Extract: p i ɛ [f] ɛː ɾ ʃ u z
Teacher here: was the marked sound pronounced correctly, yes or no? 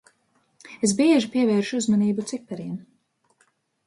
no